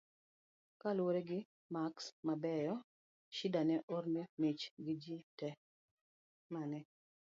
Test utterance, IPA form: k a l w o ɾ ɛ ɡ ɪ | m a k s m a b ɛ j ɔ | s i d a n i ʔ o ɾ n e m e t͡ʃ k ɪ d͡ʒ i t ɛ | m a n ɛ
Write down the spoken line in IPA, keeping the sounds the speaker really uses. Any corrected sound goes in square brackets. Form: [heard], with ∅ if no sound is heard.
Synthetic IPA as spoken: k a l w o ɾ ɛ ɡ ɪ | m a k s m a b ɛ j ɔ | [ʃ] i d a n [ɛ] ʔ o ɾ n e m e t͡ʃ [ɡ] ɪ d͡ʒ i t ɛ | m a n ɛ